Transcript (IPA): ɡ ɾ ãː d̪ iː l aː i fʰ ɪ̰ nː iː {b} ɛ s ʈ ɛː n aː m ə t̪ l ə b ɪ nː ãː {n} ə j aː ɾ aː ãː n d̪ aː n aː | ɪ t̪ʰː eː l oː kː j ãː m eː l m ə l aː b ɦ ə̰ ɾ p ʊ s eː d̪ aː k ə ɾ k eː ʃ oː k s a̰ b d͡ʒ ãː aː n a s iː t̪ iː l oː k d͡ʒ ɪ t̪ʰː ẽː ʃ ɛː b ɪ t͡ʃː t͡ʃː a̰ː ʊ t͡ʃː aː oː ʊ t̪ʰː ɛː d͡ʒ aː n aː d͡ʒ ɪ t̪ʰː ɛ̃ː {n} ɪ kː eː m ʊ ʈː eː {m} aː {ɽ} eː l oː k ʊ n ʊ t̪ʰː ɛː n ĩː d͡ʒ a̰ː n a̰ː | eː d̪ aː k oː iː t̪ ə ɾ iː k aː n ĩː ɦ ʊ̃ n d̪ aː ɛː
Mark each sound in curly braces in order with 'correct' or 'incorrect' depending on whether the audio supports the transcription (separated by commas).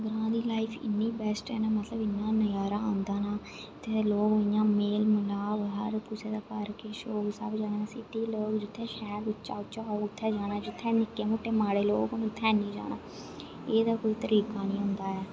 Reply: correct, correct, correct, correct, correct